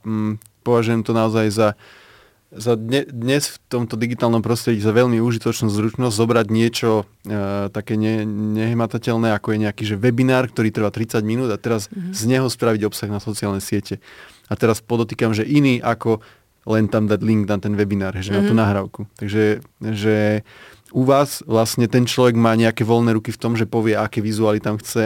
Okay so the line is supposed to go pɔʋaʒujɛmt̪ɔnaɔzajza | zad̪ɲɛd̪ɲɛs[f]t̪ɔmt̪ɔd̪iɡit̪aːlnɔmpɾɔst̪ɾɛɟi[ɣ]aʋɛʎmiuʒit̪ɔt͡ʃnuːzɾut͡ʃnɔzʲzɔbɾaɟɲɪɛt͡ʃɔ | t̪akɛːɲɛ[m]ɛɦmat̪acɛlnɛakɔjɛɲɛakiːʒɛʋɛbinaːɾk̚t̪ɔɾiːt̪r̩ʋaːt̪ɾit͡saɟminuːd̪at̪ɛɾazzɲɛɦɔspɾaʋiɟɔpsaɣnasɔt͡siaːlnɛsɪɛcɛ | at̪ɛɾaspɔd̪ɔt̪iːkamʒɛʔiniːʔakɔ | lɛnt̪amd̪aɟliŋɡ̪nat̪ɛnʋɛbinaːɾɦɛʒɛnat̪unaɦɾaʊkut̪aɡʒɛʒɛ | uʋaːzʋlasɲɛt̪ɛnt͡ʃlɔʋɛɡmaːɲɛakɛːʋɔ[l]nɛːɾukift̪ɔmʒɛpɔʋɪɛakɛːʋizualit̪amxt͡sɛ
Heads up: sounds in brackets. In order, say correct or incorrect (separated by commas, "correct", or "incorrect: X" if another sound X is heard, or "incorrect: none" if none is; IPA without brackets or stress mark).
correct, incorrect: z, incorrect: ɲ, correct